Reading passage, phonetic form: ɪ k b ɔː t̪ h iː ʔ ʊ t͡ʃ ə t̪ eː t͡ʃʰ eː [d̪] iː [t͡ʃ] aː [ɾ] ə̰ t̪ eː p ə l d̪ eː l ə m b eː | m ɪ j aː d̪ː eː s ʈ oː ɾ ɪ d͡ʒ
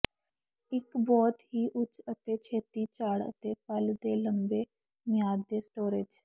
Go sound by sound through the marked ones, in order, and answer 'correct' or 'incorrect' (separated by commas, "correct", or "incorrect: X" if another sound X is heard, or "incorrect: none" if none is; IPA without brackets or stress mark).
incorrect: t̪, correct, incorrect: ɽ